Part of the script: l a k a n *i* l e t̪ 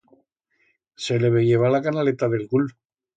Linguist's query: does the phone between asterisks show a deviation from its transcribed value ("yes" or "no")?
yes